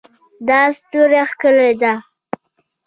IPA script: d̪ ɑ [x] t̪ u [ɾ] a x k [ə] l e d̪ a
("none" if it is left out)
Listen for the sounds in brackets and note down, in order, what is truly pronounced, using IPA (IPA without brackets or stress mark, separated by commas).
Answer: s, ɾ, ə